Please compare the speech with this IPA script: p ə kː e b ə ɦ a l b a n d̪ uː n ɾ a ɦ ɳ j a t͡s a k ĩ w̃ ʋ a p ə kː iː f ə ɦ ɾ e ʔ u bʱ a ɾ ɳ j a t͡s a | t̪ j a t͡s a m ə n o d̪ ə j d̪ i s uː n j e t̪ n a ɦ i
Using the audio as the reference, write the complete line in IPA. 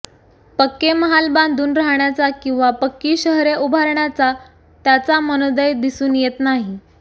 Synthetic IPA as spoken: p ə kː e m ə ɦ a l b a n d̪ uː n ɾ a ɦ ɳ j a t͡s a k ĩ w̃ ʋ a p ə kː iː ɕ ə ɦ ɾ e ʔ u bʱ a ɾ ɳ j a t͡s a | t̪ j a t͡s a m ə n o d̪ ə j d̪ i s uː n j e t̪ n a ɦ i